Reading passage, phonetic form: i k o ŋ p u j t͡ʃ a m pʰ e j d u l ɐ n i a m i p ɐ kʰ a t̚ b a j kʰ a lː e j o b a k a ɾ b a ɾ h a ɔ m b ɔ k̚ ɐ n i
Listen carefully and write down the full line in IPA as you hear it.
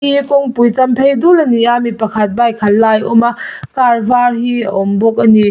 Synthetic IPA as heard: i k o ŋ p u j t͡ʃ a m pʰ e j d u l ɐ n i a m i p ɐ kʰ a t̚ b a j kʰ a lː a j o m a k a ɾ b a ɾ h i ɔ m b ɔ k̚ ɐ n i